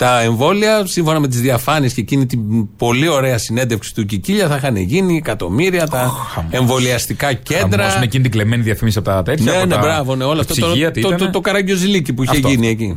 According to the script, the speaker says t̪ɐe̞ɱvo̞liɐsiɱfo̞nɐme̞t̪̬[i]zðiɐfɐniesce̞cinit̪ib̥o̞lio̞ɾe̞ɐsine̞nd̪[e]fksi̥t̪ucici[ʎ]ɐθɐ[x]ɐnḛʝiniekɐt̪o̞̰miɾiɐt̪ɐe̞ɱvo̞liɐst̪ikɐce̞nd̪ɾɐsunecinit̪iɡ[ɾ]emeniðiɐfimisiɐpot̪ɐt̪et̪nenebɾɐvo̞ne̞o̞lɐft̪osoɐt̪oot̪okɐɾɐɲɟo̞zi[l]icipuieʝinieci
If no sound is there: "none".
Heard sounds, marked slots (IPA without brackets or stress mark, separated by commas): i, e, ʎ, x, l, l